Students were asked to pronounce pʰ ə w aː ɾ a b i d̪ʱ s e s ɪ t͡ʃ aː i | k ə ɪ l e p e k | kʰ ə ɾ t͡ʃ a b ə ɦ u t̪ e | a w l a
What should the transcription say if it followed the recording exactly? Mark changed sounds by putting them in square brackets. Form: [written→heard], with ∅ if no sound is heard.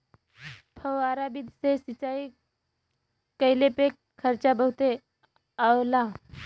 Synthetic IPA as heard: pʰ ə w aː ɾ a b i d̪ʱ s e s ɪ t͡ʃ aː i | k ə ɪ l e p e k | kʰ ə ɾ t͡ʃ a b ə ɦ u t̪ e | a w l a